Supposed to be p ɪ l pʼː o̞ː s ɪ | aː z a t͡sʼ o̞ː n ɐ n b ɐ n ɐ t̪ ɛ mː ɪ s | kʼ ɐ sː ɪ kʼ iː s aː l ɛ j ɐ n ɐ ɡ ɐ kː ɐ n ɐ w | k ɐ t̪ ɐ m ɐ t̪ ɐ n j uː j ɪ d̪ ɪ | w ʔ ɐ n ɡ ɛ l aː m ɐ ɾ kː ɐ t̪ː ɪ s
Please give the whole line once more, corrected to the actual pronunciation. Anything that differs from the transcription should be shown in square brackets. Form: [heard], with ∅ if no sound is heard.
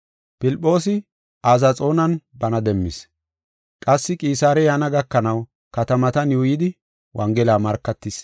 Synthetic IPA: p ɪ l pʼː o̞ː s ɪ | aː z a t͡sʼ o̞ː n ɐ n b ɐ n ɐ [d̪] ɛ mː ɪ s | kʼ ɐ sː ɪ kʼ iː s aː [ɾ] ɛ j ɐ n ɐ ɡ ɐ kː ɐ n ɐ w | k ɐ t̪ ɐ m ɐ t̪ ɐ n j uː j ɪ d̪ ɪ | w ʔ ɐ [ŋ] ɡ ɛ l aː m ɐ ɾ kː ɐ t̪ː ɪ s